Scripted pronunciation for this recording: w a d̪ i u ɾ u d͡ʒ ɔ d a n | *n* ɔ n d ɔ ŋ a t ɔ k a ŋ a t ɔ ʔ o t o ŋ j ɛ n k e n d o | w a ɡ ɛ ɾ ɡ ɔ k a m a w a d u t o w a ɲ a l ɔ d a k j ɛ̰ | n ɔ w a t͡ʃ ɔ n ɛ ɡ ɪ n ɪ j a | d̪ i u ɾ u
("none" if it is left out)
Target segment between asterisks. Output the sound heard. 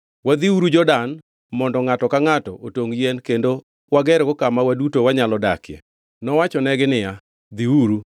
m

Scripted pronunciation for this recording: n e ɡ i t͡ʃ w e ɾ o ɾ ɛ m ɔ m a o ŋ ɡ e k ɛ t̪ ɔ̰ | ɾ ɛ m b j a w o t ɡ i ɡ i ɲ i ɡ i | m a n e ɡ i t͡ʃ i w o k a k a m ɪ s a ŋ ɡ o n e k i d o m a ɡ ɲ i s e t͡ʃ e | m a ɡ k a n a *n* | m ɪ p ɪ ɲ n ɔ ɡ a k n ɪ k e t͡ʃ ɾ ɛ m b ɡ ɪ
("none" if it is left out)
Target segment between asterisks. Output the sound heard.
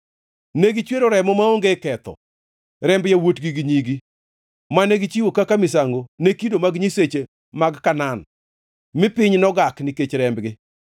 n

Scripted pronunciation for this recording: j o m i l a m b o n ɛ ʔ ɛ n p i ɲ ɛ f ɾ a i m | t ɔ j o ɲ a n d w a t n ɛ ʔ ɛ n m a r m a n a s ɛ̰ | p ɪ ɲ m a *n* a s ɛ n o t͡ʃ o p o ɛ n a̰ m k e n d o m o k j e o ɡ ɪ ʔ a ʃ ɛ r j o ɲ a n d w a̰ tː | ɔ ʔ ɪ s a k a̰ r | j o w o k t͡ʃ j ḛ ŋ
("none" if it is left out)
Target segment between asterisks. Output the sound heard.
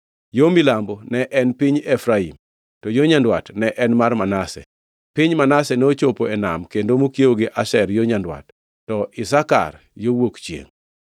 n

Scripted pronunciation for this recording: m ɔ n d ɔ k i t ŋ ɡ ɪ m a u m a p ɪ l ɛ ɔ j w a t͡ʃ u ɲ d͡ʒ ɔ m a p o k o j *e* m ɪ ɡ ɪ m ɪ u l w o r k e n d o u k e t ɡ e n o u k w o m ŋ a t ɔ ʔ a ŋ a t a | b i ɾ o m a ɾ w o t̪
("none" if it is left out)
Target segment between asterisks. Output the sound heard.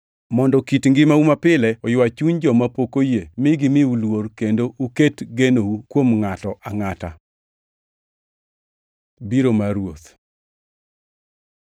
e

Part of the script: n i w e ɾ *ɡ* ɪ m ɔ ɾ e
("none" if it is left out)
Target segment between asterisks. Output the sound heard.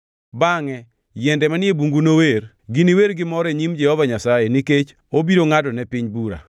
ɡ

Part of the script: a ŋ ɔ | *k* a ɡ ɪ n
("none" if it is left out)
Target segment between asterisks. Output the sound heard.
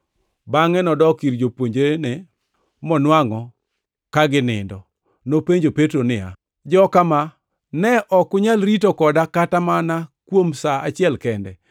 k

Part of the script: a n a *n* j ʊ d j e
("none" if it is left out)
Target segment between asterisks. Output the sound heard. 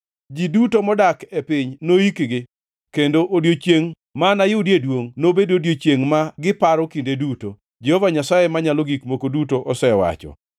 none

